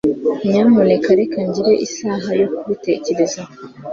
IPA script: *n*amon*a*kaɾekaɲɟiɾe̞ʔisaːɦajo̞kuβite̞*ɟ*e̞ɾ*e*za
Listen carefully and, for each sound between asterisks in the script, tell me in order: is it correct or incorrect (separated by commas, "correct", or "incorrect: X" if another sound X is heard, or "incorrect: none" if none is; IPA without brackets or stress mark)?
incorrect: ɲ, incorrect: e, incorrect: c, correct